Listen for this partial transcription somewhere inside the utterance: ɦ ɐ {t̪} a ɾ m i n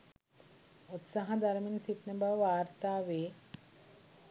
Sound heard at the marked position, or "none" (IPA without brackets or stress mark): d̪